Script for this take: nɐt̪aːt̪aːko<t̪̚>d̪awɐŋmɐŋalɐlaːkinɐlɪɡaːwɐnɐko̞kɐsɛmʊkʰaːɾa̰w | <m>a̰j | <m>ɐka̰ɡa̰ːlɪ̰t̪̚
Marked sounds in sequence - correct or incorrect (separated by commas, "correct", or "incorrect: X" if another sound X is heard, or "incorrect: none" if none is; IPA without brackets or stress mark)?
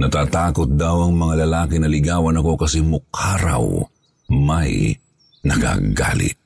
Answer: correct, correct, incorrect: n